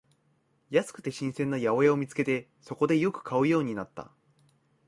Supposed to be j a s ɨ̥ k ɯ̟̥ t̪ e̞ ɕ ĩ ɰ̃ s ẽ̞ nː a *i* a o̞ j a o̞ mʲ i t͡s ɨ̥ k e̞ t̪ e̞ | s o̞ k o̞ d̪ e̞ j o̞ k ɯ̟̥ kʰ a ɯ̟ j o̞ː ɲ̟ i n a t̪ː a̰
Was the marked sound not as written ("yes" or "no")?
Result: yes